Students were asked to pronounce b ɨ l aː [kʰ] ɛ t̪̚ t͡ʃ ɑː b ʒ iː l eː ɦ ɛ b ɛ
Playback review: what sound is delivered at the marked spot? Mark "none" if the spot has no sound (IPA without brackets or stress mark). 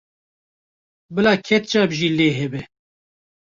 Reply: kʰ